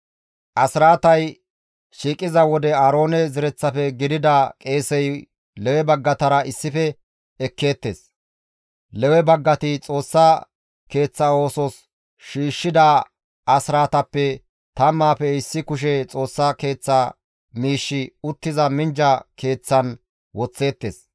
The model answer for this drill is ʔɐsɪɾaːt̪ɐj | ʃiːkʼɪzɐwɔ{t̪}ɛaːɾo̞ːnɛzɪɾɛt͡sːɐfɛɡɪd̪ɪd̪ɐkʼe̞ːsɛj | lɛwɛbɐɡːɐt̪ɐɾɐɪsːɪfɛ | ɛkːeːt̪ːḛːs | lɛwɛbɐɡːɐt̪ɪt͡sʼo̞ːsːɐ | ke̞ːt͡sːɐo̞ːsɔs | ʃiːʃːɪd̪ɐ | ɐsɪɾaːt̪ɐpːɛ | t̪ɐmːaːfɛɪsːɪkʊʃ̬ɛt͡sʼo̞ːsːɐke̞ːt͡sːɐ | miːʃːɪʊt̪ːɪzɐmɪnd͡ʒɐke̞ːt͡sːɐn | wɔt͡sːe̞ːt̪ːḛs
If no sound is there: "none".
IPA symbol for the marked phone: d̪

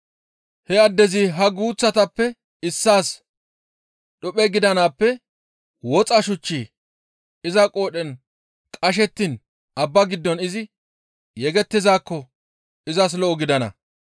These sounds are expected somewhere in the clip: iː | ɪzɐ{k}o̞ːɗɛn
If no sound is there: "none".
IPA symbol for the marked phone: kʼ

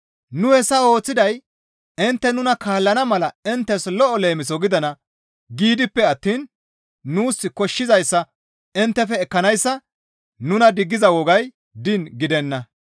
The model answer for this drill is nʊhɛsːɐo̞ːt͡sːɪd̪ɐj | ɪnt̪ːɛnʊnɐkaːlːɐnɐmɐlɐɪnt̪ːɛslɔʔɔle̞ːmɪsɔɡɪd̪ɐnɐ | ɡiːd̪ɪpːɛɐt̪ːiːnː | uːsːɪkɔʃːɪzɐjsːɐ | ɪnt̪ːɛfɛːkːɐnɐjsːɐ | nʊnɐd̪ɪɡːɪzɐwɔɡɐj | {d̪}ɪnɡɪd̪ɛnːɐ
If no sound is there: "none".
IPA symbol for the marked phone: d̪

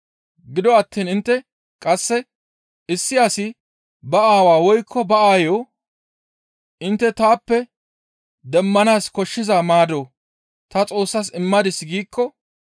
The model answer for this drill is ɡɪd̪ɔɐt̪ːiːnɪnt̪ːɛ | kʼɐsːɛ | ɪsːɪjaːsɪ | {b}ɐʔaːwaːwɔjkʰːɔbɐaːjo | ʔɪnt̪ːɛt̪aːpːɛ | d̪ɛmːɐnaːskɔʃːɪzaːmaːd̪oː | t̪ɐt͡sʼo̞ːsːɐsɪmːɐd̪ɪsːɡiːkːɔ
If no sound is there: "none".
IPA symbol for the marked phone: b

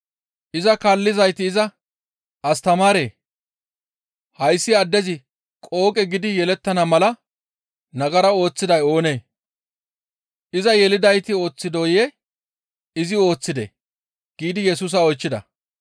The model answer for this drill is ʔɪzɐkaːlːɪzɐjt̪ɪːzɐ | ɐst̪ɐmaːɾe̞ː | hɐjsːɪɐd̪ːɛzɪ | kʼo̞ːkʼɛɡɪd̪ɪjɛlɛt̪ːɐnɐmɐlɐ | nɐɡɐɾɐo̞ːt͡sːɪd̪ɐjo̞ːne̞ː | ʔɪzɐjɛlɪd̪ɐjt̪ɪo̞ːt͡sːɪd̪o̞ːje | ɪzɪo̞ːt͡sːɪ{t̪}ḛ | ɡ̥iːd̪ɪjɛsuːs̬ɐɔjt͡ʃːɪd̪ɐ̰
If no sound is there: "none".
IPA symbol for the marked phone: d̪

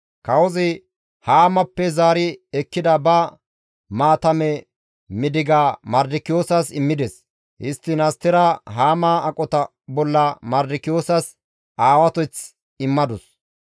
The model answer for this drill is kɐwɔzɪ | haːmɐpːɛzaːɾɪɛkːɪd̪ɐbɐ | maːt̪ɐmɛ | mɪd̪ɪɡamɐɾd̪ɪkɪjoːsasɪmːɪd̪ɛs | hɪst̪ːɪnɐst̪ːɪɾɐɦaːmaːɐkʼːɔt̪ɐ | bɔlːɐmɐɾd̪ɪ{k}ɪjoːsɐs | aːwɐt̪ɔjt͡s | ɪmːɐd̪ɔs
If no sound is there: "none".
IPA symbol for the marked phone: k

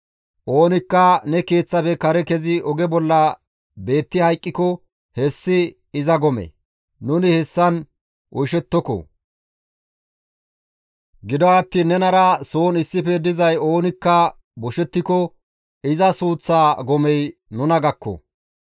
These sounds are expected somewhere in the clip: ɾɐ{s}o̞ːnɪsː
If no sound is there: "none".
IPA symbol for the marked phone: s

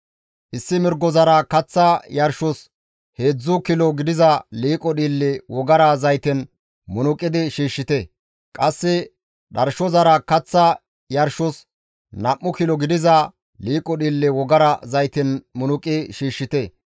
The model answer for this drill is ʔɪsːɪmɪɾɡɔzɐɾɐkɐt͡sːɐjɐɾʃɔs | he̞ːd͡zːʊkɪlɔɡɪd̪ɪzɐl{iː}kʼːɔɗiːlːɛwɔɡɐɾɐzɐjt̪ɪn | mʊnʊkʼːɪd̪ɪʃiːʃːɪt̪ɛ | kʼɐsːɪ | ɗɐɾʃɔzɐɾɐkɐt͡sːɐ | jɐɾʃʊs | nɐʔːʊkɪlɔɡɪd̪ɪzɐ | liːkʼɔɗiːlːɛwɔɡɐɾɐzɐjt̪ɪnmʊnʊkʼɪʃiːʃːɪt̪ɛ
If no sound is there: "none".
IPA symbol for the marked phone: iː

